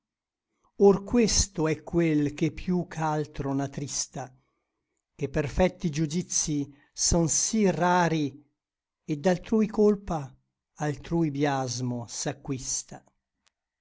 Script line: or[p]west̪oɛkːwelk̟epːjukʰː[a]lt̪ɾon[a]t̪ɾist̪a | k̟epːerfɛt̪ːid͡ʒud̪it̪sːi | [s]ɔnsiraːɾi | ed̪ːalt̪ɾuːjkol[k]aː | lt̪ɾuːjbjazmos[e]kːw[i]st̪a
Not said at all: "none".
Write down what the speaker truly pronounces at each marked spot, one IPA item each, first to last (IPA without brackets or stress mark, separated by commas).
k, a, a, s, p, a, i